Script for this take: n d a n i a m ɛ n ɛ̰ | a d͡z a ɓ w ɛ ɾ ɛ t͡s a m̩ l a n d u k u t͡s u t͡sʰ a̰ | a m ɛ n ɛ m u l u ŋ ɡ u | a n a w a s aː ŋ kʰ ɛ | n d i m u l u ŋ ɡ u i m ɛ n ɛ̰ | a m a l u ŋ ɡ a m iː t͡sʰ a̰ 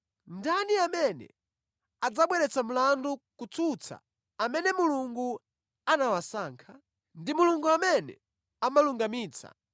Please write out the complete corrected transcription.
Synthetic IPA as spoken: n d a n i a m ɛ n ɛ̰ | a d͡z a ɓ w ɛ ɾ ɛ t͡s a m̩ l a n d u k u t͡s u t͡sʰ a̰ | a m ɛ n ɛ m u l u ŋ ɡ u | a n a w a s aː ŋ kʰ a | n d i m u l u ŋ ɡ u a m ɛ n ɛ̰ | a m a l u ŋ ɡ a m iː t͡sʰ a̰